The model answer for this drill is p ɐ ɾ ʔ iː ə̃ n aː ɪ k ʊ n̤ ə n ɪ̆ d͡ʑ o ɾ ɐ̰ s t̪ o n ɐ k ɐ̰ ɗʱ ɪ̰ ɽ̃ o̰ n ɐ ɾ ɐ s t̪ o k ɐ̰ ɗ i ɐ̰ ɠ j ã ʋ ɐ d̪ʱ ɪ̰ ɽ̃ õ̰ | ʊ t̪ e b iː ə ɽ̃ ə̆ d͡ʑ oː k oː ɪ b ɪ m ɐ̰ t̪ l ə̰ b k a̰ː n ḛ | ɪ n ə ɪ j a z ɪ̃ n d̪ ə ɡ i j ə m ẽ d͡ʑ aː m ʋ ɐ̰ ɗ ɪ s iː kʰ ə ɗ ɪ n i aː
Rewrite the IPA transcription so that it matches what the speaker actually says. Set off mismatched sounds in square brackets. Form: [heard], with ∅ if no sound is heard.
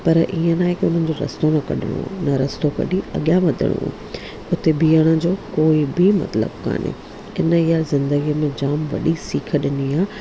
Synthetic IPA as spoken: p ɐ ɾ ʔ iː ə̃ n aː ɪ k ʊ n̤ ə n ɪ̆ d͡ʑ o ɾ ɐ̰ s t̪ o n ɐ k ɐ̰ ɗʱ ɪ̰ ɽ̃ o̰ n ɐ ɾ ɐ s t̪ o k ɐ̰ ɗ i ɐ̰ ɠ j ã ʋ ɐ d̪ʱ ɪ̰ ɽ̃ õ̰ | ʊ t̪ e b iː ə ɽ̃ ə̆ d͡ʑ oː k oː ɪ b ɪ m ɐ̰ t̪ l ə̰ b k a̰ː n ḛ | ɪ n ə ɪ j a z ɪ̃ n d̪ ə ɡ i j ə m ẽ d͡ʑ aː m ʋ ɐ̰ ɗ [i] s iː kʰ ə ɗ ɪ n i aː